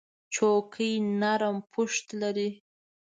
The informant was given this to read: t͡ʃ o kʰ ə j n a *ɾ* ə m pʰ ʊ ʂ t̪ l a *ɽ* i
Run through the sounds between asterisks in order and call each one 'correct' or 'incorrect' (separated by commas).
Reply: correct, incorrect